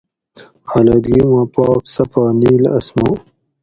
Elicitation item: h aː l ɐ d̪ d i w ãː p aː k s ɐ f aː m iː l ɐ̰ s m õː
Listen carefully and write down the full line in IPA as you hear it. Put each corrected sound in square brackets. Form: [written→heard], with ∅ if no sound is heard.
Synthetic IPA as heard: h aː l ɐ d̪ [d→ɡ] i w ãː p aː k s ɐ f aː [m→n] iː l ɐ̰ s m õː